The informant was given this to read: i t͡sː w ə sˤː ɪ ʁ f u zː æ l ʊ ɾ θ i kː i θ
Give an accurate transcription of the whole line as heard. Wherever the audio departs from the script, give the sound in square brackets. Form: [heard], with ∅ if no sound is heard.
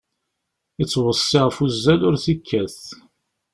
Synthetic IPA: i t͡sː w ə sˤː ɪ ʁ f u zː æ l ʊ ɾ θ i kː [æ] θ